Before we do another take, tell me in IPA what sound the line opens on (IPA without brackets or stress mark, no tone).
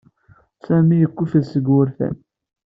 s